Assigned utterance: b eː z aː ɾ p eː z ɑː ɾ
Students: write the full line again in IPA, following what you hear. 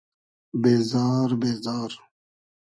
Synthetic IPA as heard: b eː z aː ɾ b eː z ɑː ɾ